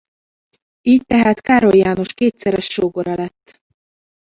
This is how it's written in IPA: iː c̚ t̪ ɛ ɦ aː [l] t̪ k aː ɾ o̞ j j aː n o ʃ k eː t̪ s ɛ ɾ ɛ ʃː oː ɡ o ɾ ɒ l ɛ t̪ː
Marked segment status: incorrect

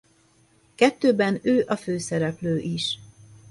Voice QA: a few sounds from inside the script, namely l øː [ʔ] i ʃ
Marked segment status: correct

